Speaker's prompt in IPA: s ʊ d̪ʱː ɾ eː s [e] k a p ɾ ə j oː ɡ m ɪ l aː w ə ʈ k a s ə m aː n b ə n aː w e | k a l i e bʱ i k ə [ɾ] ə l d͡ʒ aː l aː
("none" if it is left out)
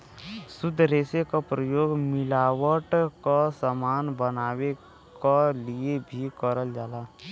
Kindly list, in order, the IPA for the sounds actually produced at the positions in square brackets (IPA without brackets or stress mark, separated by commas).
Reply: e, ɾ